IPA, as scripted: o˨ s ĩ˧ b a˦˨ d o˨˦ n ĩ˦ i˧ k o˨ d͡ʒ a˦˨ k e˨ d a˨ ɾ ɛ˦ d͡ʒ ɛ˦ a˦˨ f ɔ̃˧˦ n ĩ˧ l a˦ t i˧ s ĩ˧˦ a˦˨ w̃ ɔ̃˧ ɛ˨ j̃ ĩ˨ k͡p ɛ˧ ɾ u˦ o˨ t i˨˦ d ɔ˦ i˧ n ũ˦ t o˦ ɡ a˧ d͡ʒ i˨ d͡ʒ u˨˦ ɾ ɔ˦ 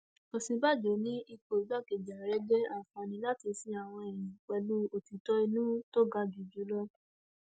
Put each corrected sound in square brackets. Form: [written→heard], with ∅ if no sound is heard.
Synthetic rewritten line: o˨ s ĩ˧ b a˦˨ [d→d͡ʒ] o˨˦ n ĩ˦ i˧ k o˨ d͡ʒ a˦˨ k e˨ [d→d͡ʒ] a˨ ɾ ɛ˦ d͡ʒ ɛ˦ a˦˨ f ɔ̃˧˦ n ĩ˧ l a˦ t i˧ s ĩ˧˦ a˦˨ w̃ ɔ̃˧ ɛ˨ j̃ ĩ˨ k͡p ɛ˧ [ɾ→l] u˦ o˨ t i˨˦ [d→t] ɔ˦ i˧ n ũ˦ t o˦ ɡ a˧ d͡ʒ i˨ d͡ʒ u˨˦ [ɾ→l] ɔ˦